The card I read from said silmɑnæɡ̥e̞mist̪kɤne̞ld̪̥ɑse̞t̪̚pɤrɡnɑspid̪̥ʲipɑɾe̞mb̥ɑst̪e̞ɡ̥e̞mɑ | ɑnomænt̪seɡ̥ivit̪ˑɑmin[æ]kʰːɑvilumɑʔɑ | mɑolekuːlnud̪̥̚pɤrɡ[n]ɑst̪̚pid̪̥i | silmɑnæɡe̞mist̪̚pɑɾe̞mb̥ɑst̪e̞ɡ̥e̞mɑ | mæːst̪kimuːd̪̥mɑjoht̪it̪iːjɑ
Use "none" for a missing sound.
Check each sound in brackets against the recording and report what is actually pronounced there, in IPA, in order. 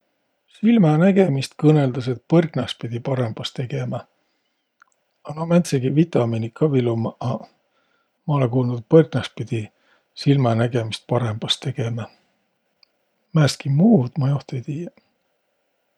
i, n

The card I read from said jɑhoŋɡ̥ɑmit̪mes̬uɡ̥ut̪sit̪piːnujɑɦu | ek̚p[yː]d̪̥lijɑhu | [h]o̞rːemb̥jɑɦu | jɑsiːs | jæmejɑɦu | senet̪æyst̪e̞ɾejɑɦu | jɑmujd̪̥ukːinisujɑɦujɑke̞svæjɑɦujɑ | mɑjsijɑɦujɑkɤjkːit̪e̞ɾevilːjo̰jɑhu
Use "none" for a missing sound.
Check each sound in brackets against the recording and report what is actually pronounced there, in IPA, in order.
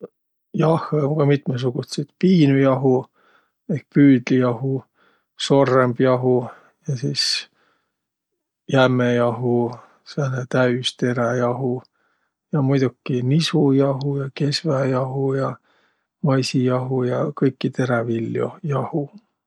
yː, s

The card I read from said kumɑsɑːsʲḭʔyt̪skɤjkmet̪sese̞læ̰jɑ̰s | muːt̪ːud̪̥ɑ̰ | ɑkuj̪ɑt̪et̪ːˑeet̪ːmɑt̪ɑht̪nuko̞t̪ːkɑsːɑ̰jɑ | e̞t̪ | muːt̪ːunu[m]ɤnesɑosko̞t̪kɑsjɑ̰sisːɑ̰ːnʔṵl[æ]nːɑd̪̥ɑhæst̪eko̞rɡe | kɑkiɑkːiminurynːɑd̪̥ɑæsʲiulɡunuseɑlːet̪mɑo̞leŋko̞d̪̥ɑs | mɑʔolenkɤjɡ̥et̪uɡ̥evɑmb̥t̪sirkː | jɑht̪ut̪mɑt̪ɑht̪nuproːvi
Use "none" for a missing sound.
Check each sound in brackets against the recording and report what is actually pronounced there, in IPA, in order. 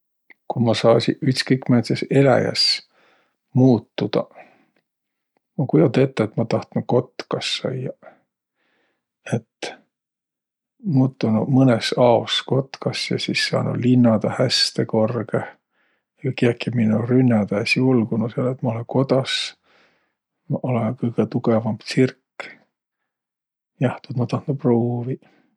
m, i

